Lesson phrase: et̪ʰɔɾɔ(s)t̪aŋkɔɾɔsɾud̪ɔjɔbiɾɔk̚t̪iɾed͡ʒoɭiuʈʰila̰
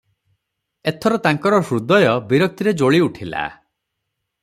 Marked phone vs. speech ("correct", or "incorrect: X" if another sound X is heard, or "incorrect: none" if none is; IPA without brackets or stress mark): incorrect: none